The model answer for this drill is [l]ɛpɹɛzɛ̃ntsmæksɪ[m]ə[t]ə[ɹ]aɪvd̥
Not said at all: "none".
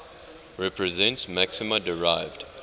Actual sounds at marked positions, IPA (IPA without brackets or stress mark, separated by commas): ɹ, m, d, ɹ